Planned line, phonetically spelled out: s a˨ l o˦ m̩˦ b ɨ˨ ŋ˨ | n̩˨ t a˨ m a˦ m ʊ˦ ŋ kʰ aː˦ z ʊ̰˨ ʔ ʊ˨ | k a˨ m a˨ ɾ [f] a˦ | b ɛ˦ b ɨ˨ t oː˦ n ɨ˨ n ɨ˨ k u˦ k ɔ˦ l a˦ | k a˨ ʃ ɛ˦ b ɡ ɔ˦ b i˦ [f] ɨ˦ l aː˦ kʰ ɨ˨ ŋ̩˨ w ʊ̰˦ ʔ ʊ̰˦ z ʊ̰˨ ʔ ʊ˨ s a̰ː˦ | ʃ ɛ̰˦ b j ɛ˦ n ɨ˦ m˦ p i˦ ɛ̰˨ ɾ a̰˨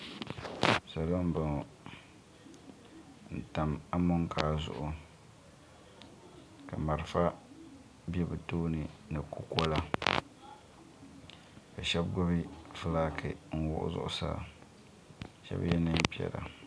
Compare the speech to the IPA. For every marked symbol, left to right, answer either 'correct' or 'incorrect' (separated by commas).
correct, correct